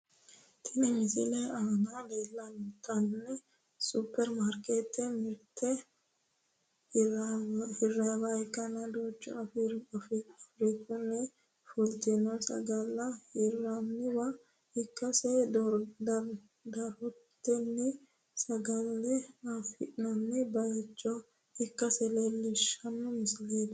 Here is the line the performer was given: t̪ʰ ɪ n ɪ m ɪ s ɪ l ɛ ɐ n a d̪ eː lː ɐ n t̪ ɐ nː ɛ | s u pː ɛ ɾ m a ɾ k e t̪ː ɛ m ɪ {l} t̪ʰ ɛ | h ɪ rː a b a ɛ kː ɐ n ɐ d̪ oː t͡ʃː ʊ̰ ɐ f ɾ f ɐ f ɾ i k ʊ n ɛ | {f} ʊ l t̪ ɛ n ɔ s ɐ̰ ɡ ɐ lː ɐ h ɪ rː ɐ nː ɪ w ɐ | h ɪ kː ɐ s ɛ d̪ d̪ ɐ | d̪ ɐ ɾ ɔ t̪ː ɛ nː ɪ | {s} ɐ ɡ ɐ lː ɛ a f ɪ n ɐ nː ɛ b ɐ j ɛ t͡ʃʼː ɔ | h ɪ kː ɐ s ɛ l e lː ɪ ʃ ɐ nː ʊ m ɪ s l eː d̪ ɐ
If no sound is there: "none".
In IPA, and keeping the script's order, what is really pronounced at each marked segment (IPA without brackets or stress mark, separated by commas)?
ɾ, f, s